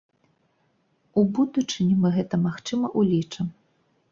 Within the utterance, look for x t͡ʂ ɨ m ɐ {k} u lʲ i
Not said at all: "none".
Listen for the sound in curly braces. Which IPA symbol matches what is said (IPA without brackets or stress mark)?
ʔ